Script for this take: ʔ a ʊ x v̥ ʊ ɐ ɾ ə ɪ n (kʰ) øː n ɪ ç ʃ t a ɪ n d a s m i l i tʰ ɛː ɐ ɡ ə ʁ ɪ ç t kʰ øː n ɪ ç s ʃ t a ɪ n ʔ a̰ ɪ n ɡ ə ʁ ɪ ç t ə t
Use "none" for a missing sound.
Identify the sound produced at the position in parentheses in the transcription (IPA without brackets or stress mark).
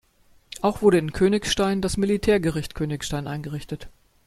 kʰ